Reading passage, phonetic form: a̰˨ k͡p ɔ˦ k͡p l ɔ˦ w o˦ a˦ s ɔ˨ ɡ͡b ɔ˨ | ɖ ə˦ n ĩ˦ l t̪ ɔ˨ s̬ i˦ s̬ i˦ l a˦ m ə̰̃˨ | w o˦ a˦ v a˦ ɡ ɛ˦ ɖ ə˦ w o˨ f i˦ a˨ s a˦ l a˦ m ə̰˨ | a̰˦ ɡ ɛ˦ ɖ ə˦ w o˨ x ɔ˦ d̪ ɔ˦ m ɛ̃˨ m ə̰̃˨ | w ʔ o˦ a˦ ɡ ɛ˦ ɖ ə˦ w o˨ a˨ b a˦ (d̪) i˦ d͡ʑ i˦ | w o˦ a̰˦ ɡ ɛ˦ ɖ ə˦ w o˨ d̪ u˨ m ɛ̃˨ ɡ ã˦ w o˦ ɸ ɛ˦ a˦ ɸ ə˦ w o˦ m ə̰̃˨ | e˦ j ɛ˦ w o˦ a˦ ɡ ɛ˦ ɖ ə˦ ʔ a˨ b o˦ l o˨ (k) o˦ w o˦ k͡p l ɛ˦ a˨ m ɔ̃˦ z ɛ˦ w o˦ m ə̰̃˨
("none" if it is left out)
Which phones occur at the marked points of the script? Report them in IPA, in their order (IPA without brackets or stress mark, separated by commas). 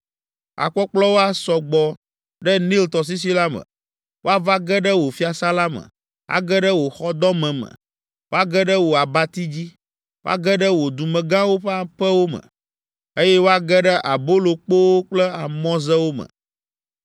t̪, k͡p